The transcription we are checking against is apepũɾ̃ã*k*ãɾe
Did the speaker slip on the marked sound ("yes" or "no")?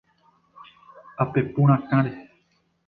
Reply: no